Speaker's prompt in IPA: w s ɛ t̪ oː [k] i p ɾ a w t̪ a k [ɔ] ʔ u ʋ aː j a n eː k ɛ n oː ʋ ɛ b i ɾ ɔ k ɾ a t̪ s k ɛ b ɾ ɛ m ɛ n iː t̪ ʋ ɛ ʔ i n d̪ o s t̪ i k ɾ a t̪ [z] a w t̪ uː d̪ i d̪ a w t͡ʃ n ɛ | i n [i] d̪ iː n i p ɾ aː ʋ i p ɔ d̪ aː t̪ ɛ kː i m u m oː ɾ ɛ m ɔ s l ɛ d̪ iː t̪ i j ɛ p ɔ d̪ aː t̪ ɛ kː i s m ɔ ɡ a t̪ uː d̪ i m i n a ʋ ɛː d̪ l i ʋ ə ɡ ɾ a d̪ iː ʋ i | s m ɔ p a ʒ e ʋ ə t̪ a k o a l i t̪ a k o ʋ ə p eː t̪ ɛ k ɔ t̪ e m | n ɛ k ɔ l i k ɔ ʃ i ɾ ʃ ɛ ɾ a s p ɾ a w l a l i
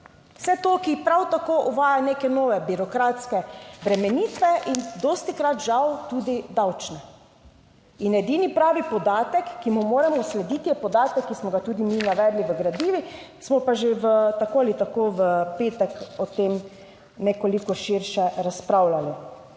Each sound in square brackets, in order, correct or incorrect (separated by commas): correct, incorrect, incorrect, incorrect